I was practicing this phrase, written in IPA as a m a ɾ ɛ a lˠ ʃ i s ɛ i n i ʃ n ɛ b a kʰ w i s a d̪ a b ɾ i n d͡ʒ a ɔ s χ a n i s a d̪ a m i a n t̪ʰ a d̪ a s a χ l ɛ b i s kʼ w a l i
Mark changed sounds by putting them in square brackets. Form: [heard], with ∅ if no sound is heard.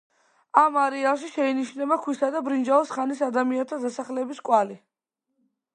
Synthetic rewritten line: a m a ɾ ɛ a lˠ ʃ i [ʃ] ɛ i n i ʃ n ɛ b a kʰ w i s a d̪ a b ɾ i n d͡ʒ a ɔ s χ a n i s a d̪ a m i a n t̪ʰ a d̪ a s a χ l ɛ b i s kʼ w a l i